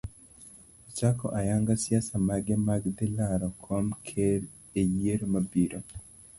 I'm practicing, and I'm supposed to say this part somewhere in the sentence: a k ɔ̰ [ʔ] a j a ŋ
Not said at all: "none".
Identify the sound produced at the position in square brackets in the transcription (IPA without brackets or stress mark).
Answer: ʔ